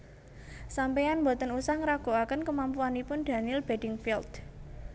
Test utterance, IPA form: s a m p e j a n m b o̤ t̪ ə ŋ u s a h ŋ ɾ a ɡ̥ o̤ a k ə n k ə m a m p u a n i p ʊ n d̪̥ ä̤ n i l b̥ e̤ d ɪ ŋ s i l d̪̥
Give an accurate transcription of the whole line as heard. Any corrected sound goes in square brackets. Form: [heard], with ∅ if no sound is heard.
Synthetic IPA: s a m p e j a n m b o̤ t̪ ə [n] u s a h ŋ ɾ a ɡ̥ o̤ a k ə n k ə m a m p u a n i p ʊ n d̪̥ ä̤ n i l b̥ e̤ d ɪ ŋ [f] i l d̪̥